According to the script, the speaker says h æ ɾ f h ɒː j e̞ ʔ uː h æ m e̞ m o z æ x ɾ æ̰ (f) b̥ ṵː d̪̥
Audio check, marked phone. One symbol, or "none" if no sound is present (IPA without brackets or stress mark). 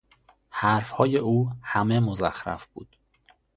f